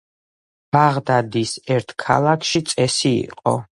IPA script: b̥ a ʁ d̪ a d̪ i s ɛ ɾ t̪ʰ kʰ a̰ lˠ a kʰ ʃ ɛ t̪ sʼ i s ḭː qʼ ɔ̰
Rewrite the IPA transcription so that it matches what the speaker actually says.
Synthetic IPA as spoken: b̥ a ʁ d̪ a d̪ i s ɛ ɾ t̪ʰ kʰ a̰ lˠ a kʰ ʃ i t̪ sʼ ɛ s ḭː qʼ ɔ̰